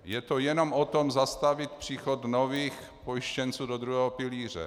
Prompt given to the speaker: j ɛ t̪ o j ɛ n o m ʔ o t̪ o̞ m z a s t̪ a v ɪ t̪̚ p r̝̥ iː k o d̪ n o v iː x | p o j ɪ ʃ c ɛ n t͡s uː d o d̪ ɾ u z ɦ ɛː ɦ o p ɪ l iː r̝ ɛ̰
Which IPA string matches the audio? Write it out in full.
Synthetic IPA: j ɛ t̪ o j ɛ n o m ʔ o t̪ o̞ m z a s t̪ a v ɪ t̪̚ p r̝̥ iː x o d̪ n o v iː x | p o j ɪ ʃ c ɛ n t͡s uː d o d̪ ɾ u ɦ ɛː ɦ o p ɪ l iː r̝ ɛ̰